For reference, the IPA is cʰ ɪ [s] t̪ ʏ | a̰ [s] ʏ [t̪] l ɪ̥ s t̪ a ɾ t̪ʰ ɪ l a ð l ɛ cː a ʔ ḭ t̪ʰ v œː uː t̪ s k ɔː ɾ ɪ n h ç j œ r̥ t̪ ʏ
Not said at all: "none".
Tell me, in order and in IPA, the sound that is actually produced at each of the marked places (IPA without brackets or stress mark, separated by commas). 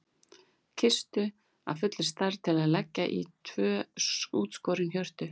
s, f, t̪